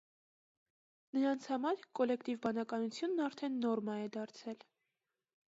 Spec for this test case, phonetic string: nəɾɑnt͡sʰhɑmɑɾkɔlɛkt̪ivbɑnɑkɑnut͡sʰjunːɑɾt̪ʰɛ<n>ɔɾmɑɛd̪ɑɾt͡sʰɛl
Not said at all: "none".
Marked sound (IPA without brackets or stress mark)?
nː